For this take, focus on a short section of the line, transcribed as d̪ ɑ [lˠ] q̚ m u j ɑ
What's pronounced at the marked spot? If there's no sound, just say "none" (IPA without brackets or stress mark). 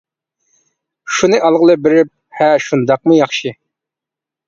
none